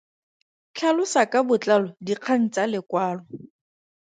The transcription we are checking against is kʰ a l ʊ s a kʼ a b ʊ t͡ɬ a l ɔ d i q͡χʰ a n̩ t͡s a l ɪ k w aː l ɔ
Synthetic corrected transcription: kʰ a l ʊ s a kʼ a b ʊ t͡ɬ a l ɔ d i q͡χʰ a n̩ t͡s a l ɪ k w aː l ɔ

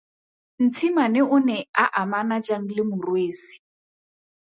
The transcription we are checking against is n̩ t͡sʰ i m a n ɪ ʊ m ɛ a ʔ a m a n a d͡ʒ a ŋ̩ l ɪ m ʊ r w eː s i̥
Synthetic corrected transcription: n̩ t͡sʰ i m a n ɪ ʊ n ɛ a ʔ a m a n a d͡ʒ a ŋ̩ l ɪ m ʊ r w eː s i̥

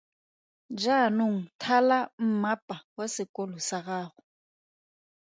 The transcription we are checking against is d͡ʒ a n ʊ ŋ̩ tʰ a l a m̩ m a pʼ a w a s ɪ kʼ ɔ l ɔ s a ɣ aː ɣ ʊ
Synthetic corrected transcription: d͡ʒ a n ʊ ŋ̩ tʰ a l a m̩ m a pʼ a w a s ɪ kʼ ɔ l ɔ s a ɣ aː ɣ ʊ

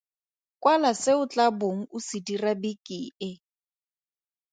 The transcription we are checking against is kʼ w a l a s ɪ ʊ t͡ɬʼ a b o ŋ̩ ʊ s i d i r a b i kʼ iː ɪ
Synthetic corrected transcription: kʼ w a l a s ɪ ʊ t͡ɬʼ a b o ŋ̩ ʊ s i d i r a b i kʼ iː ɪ

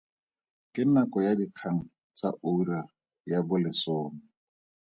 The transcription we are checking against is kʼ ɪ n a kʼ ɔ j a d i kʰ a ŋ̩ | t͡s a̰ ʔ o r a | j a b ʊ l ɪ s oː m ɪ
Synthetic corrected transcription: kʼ ɪ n a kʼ ɔ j a d i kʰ a ŋ̩ | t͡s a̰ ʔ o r a | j a b ʊ l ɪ s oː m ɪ

